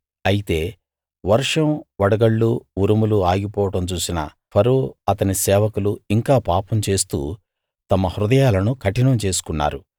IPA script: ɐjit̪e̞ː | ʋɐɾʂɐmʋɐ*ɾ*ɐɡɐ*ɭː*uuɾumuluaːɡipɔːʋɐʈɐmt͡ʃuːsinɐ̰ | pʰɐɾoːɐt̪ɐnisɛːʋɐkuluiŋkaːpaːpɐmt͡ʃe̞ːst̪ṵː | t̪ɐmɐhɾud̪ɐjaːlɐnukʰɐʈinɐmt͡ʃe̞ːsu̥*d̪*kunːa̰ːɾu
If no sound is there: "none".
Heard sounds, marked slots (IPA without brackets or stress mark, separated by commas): ɽ, ɭː, none